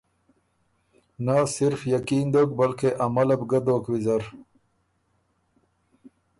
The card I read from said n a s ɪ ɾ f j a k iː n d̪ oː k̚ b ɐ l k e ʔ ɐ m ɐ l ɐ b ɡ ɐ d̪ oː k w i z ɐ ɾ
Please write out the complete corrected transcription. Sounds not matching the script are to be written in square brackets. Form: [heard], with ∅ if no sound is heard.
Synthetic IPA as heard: n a s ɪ ɾ f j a k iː n d̪ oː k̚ b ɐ l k e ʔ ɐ m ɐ l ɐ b ɡ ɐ d̪ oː k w i z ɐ ɾ